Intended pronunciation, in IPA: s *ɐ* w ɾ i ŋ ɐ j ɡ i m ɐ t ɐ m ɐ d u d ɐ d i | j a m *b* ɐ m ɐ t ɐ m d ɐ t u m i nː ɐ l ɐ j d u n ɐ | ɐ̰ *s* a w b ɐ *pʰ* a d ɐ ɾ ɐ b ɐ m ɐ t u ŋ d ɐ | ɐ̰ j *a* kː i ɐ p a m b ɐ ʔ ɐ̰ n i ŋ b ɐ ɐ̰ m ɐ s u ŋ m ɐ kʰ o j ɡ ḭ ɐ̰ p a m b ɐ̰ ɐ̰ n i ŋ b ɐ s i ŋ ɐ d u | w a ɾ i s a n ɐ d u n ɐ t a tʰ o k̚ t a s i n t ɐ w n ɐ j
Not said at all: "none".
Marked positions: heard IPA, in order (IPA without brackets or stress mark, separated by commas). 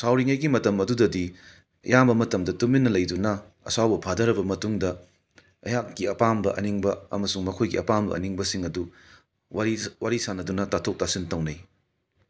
a, b, s, pʰ, a